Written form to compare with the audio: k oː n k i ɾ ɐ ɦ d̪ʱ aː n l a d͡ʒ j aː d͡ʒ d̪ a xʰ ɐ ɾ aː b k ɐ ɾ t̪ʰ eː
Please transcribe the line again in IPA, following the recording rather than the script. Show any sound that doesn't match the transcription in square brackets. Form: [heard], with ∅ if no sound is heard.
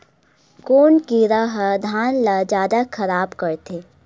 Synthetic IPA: k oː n k i ɾ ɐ ɦ d̪ʱ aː n l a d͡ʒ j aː [∅] d̪ a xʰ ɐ ɾ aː b k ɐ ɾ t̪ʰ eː